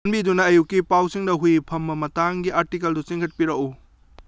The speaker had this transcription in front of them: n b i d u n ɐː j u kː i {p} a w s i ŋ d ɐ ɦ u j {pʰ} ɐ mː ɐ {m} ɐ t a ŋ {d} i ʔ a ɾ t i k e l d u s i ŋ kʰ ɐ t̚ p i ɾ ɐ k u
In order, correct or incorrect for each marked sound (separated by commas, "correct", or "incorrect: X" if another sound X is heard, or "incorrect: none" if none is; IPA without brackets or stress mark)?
correct, correct, correct, incorrect: ɡ